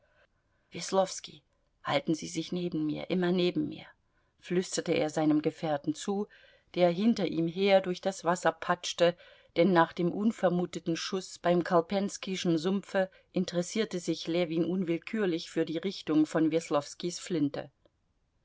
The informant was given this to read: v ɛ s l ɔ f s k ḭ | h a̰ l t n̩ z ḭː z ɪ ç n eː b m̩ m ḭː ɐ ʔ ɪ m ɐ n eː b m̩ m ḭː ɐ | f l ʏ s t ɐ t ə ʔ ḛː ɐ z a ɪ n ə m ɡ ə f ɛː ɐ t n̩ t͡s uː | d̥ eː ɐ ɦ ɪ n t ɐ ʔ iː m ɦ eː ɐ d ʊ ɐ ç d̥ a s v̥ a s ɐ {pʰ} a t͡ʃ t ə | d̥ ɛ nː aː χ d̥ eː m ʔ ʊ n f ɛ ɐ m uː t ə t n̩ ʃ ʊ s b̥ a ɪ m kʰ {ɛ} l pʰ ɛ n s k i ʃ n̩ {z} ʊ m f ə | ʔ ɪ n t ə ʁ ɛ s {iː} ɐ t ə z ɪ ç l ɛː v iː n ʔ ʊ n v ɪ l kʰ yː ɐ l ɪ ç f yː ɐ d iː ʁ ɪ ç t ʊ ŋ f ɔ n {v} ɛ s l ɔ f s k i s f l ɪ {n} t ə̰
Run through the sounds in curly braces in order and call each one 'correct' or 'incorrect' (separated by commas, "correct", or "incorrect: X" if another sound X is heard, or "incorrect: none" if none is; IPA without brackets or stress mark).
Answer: correct, incorrect: a, correct, correct, correct, correct